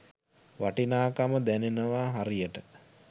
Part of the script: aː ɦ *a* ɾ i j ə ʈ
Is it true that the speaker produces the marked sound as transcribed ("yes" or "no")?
yes